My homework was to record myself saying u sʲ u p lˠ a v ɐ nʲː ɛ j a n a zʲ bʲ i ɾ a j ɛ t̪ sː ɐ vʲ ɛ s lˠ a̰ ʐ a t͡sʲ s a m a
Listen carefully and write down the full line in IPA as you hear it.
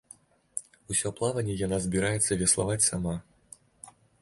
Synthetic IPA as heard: u sʲ ɔ p lˠ a v ɐ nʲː ɛ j a n a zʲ bʲ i ɾ a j ɛ t̪ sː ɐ vʲ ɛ s lˠ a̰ v a t͡sʲ s a m a